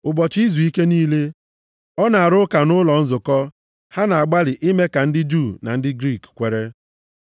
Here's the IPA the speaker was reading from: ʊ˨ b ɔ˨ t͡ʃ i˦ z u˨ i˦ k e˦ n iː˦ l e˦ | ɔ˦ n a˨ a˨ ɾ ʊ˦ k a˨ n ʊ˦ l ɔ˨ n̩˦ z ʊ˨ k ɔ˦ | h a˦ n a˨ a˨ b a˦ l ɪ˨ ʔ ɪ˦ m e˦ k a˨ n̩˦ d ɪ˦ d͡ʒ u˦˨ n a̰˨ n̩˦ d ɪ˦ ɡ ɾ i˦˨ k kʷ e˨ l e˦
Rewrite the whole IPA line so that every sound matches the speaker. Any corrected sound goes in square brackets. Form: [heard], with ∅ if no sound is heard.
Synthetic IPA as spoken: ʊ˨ b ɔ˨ t͡ʃ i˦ z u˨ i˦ k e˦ n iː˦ l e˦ | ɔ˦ n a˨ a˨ ɾ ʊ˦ k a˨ n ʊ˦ l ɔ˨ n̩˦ z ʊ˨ k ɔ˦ | h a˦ n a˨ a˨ [ɡ͡b] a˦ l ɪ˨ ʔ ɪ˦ m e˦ k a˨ n̩˦ d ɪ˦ d͡ʒ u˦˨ n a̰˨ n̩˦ d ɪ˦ ɡ ɾ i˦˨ k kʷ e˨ [ɾ] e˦